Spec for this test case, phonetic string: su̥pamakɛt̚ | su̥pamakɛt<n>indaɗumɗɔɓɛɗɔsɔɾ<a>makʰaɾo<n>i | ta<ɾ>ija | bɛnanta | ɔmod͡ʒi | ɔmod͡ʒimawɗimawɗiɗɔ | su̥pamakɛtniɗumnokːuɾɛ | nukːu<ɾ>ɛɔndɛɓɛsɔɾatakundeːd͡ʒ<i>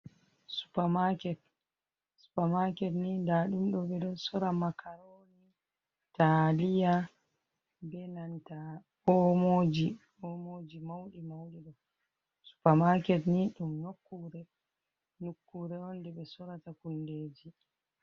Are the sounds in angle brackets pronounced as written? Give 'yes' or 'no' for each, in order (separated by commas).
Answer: yes, yes, yes, no, yes, yes